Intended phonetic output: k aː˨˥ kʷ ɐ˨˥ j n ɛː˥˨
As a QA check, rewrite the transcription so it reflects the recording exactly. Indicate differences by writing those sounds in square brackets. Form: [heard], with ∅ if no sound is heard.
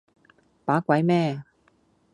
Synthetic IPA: [p] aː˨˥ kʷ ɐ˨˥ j [m] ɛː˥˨